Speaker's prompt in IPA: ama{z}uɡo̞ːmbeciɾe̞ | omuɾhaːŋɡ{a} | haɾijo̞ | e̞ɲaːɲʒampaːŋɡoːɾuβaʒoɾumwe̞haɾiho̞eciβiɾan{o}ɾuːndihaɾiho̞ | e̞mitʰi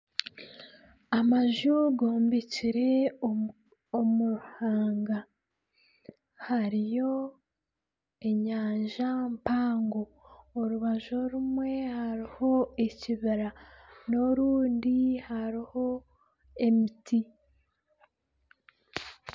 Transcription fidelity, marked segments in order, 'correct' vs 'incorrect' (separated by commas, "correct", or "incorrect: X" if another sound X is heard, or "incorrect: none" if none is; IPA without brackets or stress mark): incorrect: ʒ, correct, correct